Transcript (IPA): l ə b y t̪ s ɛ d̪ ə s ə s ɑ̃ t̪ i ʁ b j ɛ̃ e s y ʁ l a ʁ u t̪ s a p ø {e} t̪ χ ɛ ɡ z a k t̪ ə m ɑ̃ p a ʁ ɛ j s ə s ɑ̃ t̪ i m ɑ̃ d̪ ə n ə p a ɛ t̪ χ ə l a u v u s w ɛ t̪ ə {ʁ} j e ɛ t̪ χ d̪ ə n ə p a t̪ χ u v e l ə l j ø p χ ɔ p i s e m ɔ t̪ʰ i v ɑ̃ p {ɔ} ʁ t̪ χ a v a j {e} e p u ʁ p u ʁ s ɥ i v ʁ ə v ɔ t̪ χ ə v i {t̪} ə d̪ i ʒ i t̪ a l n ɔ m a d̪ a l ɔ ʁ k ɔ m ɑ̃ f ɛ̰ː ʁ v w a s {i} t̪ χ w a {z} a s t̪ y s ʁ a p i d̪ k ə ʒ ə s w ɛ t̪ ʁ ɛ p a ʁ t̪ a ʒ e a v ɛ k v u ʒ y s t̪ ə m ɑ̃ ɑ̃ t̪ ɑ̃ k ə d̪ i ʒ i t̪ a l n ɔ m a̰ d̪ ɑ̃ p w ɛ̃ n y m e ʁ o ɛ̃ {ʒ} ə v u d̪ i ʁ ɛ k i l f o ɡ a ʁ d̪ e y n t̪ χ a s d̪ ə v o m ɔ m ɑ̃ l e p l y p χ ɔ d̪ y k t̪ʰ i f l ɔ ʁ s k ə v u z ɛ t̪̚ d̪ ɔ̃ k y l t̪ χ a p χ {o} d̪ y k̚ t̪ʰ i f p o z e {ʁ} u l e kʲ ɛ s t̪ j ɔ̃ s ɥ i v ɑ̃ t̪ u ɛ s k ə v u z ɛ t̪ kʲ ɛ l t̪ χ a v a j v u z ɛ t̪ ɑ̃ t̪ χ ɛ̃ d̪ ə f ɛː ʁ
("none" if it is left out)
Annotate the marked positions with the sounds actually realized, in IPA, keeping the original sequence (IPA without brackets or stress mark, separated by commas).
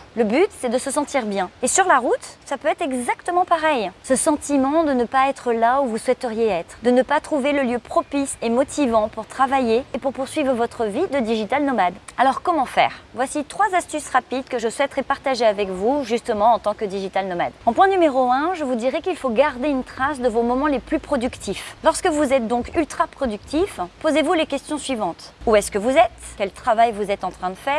ɛ, ʁ, u, e, d̪, i, z, ʒ, ɔ, v